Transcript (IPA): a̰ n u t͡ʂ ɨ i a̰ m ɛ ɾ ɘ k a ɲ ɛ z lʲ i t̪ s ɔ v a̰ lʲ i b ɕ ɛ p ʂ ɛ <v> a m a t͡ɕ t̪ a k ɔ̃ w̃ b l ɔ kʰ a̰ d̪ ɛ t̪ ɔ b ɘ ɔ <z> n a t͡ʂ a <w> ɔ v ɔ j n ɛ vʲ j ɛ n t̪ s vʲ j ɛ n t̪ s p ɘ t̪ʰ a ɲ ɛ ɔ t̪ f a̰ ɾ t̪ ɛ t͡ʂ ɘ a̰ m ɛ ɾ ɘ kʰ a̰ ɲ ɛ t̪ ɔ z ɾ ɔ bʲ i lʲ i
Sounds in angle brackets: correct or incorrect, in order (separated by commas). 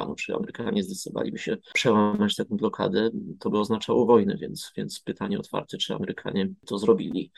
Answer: incorrect, correct, correct